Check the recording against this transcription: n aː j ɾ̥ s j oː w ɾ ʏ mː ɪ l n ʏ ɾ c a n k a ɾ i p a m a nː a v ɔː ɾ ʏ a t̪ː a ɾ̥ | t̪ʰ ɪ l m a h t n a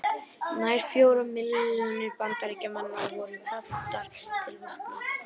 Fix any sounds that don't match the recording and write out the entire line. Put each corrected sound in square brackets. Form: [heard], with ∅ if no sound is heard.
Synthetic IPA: n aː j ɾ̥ [f] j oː w ɾ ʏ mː ɪ l n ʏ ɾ [p] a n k a ɾ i [c] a m a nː a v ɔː ɾ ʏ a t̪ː a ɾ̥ | t̪ʰ ɪ l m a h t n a